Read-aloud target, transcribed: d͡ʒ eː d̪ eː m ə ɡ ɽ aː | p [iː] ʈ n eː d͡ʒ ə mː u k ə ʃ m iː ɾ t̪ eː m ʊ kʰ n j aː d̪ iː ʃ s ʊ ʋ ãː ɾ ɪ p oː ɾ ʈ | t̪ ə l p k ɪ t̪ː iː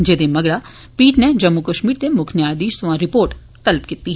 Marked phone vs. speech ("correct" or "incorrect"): correct